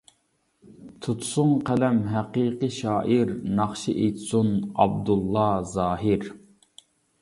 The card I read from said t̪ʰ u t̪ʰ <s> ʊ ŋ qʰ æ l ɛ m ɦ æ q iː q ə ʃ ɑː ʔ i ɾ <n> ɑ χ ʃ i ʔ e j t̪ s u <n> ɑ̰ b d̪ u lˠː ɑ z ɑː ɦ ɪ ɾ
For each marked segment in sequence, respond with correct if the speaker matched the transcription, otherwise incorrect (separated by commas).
correct, correct, correct